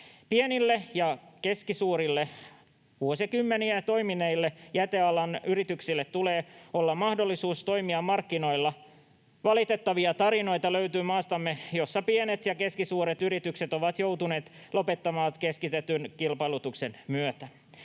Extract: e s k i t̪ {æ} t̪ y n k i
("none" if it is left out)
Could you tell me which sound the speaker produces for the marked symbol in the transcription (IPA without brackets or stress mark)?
e